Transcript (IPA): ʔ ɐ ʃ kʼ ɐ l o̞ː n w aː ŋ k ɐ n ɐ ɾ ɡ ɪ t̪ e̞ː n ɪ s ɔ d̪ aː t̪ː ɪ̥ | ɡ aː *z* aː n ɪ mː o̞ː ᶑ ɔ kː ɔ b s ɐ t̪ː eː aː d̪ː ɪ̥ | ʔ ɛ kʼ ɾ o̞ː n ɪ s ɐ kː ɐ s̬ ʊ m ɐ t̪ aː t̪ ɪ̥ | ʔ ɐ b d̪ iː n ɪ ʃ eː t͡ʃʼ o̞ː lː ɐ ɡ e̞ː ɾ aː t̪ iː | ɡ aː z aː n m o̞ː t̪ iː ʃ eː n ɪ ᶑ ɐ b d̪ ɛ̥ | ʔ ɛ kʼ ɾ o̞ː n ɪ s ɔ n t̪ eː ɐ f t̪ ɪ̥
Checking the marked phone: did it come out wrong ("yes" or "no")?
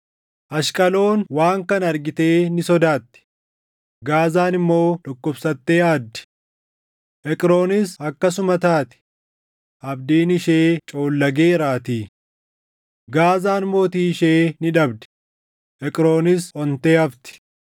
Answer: no